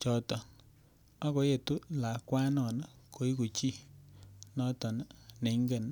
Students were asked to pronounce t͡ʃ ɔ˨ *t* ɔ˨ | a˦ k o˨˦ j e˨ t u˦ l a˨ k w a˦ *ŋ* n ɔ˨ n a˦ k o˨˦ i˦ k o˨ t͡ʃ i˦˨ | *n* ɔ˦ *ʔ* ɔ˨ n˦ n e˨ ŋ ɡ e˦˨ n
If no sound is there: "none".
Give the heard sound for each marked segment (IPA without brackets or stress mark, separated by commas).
t, none, n, t